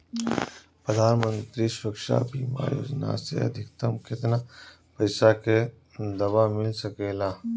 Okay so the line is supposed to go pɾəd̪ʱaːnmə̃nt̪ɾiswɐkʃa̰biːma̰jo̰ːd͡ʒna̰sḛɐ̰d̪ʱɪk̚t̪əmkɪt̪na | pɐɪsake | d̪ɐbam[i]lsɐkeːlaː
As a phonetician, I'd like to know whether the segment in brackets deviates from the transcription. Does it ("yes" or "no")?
yes